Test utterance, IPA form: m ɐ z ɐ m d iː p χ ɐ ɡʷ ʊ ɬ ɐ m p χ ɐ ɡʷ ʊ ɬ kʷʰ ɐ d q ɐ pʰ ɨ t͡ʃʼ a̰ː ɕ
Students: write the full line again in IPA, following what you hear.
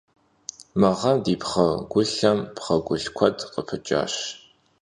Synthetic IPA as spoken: m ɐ ʁ ɐ m d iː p χ ɐ ɡʷ ʊ ɬ ɐ m p χ ɐ ɡʷ ʊ ɬ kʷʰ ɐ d q ə pʰ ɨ t͡ʃʼ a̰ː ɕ